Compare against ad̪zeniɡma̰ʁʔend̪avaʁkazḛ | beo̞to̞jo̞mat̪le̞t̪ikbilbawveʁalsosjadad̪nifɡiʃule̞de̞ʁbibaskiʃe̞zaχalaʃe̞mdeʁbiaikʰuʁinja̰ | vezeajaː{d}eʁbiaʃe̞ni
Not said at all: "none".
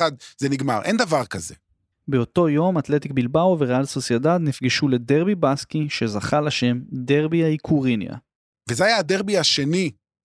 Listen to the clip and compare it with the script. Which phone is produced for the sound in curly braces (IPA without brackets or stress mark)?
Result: d